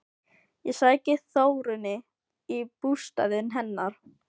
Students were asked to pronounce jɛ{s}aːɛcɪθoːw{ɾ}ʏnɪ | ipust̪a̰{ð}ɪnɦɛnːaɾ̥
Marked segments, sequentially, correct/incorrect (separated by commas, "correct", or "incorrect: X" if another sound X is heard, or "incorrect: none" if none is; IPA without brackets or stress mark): correct, correct, correct